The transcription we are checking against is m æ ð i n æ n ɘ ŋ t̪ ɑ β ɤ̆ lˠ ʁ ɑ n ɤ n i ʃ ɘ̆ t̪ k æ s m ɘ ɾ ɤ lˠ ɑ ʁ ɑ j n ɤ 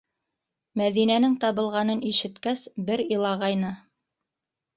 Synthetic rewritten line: m æ ð i n æ n ɘ ŋ t̪ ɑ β ɤ̆ lˠ ʁ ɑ n ɤ n i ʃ ɘ̆ t̪ k æ s b ɘ ɾ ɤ lˠ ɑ ʁ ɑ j n ɤ